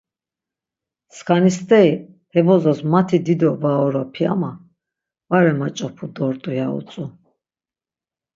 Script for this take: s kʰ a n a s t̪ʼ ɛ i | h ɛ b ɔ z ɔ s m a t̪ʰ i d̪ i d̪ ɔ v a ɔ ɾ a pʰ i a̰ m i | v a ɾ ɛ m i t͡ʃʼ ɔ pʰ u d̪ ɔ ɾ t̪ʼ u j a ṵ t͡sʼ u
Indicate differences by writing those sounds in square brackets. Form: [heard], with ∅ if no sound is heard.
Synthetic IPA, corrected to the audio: s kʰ a n [i] s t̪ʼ ɛ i | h ɛ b ɔ z ɔ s m a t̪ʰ i d̪ i d̪ ɔ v a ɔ ɾ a pʰ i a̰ m [a] | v a ɾ ɛ m [a] t͡ʃʼ ɔ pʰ u d̪ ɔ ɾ t̪ʼ u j a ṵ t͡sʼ u

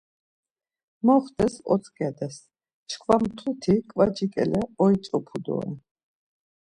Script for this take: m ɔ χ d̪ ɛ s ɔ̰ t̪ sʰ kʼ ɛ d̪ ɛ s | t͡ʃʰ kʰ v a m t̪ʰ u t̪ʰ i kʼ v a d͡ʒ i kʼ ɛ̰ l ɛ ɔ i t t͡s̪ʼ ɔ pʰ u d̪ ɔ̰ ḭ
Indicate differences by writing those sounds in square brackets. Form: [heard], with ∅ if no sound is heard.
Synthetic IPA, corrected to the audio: m ɔ χ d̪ ɛ s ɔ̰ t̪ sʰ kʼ ɛ d̪ ɛ s | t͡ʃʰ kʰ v a m t̪ʰ u t̪ʰ i kʼ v a d͡ʒ i kʼ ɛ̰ l ɛ ɔ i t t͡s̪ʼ ɔ pʰ u d̪ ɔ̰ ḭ

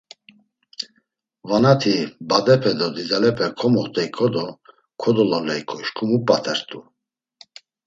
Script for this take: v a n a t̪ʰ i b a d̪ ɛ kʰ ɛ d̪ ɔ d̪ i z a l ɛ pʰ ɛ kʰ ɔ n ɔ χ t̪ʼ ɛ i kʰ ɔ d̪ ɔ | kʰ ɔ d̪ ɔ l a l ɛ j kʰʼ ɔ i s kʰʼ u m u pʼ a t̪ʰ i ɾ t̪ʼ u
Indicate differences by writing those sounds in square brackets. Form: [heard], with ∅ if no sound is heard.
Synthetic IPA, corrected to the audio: v a n a t̪ʰ i b a d̪ ɛ [pʰ] ɛ d̪ ɔ d̪ i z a l ɛ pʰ ɛ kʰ ɔ [m] ɔ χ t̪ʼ ɛ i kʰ ɔ d̪ ɔ | kʰ ɔ d̪ ɔ l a l ɛ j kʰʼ ɔ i [ʃ] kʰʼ u m u pʼ a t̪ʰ [ɛ] ɾ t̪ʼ u

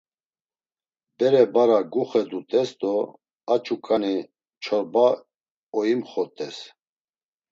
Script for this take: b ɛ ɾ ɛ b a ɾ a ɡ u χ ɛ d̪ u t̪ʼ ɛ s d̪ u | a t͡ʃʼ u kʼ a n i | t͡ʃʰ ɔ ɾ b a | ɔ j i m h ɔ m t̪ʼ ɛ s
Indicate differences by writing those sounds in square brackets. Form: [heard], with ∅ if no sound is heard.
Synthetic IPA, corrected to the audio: b ɛ ɾ ɛ b a ɾ a ɡ u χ ɛ d̪ u t̪ʼ ɛ s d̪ [ɔ] | a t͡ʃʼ u kʼ a n i | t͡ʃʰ ɔ ɾ b a | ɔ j i m [χ] ɔ [∅] t̪ʼ ɛ s

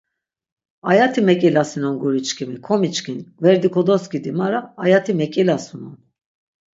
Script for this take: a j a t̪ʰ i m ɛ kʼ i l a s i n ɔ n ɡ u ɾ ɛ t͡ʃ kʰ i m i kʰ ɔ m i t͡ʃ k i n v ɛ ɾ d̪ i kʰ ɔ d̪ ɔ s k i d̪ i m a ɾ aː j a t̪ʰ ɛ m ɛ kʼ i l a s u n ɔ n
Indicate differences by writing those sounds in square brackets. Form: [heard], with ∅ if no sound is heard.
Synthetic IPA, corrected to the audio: a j a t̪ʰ i m ɛ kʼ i l a s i n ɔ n ɡ u ɾ [i] t͡ʃ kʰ i m i kʰ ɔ m i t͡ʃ k i n v ɛ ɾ d̪ i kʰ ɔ d̪ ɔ s k i d̪ i m a ɾ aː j a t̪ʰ [i] m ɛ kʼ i l a s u n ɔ n

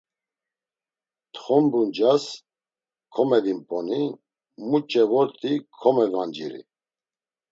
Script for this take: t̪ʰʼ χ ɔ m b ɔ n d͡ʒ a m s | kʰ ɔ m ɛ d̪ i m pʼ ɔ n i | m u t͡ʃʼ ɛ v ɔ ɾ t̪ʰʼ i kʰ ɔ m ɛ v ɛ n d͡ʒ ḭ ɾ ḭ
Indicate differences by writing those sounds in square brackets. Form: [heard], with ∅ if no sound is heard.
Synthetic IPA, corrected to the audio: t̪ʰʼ χ ɔ m b [u] n d͡ʒ a [∅] s | kʰ ɔ m ɛ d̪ i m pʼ ɔ n i | m u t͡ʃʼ ɛ v ɔ ɾ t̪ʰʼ i kʰ ɔ m ɛ v [a] n d͡ʒ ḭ ɾ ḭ

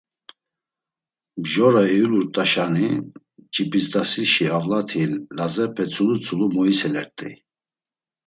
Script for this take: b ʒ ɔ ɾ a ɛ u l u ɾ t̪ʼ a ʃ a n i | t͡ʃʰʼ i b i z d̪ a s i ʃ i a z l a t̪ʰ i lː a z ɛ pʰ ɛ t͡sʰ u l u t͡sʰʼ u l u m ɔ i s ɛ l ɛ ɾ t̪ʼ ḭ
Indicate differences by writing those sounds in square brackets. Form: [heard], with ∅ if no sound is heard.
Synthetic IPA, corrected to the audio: b ʒ ɔ ɾ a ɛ u l u ɾ t̪ʼ a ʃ a n i | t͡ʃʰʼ i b i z d̪ a s i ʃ i a [v] l a t̪ʰ i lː a z ɛ pʰ ɛ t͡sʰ u l u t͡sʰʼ u l u m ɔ i s ɛ l ɛ ɾ t̪ʼ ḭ

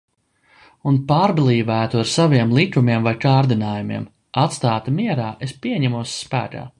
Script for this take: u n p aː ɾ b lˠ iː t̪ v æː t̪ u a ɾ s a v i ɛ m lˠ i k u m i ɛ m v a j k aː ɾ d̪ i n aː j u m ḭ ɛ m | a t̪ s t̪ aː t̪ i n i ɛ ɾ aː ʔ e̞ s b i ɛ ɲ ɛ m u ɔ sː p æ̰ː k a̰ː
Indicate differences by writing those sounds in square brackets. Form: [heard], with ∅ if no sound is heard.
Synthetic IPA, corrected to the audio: u n p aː ɾ b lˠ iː [∅] v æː t̪ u a ɾ s a v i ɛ m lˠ i k u m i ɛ m v a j k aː ɾ d̪ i n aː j u m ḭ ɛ m | a t̪ s t̪ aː t̪ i [m] i ɛ ɾ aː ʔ e̞ s [p] i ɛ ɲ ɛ m u ɔ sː p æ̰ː k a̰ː

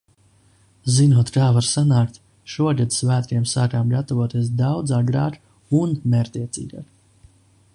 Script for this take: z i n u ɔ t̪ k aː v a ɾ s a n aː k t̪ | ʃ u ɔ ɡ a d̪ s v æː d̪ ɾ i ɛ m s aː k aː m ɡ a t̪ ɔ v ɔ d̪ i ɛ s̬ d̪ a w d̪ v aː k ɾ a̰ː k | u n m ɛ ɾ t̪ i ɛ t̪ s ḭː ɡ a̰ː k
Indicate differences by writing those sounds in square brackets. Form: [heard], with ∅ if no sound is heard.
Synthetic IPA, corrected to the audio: z i n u ɔ t̪ k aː v a ɾ s a n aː k t̪ | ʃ u ɔ ɡ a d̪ s v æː [t̪] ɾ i ɛ m s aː k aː m ɡ a t̪ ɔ v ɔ [t̪] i ɛ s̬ d̪ a w d̪ [z] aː [ɡ] ɾ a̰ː k | u n m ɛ ɾ t̪ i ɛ t̪ s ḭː ɡ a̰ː k

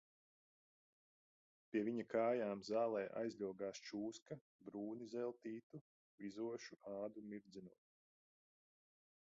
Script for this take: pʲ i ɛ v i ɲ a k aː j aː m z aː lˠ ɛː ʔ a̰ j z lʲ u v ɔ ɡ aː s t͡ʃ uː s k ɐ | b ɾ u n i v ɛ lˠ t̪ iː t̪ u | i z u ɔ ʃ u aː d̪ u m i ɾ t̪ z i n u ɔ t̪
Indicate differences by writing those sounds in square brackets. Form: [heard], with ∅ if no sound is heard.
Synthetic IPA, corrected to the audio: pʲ i ɛ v i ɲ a k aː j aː m z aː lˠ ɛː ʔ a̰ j z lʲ u [∅] ɔ ɡ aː s t͡ʃ uː s k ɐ | b ɾ [uː] n i [z] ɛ lˠ t̪ iː t̪ u | i z u ɔ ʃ u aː d̪ u m i ɾ [d̪] z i n u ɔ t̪

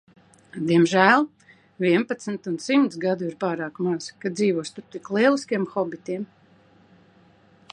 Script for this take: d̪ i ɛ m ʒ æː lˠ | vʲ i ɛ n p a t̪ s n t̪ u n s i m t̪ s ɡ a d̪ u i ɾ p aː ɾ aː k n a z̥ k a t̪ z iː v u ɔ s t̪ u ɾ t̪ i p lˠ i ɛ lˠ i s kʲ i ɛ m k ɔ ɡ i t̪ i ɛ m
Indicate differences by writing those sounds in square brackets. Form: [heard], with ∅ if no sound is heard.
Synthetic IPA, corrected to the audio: d̪ i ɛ m ʒ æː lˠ | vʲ i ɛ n p a t̪ s n t̪ u n s i m t̪ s ɡ a d̪ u i ɾ p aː ɾ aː k [m] a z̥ k a [d̪] z iː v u ɔ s t̪ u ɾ t̪ i [k] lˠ i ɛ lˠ i s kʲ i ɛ m [x] ɔ [b] i t̪ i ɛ m

